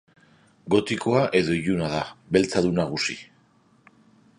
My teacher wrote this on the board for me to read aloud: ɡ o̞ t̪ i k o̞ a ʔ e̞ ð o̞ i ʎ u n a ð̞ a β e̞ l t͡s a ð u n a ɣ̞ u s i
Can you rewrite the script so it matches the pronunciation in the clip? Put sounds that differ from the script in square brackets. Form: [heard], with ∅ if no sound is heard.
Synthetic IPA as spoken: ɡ o̞ t̪ i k o̞ a ʔ e̞ ð o̞ i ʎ u n a ð̞ a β e̞ l t͡s a ð u n a ɣ̞ u s i